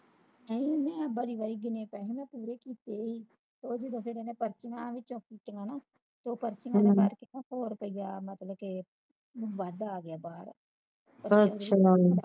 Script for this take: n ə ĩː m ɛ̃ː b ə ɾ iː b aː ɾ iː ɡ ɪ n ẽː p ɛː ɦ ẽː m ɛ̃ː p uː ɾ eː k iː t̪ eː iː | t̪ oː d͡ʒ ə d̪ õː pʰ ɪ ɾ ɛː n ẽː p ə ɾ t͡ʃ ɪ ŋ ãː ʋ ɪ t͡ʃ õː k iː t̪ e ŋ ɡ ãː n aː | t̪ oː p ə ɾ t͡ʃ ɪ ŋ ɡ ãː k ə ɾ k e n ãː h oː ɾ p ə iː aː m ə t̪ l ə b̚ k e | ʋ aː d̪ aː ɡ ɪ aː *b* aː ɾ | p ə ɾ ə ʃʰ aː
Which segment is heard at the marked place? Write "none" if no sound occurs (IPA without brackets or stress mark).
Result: b